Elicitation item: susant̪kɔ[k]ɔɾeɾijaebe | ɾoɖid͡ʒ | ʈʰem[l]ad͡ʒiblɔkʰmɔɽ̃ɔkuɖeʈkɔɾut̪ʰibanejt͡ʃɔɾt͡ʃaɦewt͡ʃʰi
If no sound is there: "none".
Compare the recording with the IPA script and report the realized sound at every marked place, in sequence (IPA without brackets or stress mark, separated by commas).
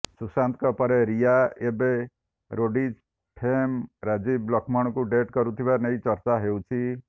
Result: p, ɾ